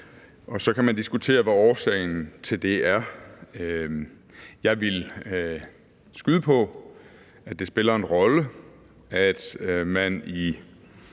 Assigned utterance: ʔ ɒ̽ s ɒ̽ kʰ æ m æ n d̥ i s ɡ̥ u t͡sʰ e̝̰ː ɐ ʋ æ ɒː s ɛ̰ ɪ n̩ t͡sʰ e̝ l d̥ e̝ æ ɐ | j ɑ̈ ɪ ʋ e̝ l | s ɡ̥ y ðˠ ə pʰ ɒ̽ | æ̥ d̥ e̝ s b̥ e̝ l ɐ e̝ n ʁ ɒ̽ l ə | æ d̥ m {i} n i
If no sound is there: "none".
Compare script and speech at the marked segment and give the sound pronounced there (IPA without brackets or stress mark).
æ